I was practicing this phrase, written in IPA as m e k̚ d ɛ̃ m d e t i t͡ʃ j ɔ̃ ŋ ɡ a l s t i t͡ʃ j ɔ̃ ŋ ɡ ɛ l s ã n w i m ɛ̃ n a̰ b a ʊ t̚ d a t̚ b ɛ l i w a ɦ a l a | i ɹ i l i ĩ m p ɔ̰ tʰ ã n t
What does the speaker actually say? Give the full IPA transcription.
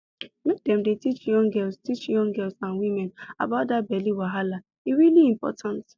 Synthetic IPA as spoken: m e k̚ d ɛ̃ m d e t i t͡ʃ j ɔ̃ ŋ ɡ ɛ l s t i t͡ʃ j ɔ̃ ŋ ɡ ɛ l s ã n w i m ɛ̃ n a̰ b a ʊ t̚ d a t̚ b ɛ l i w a ɦ a l a | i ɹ i l i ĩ m p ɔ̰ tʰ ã n t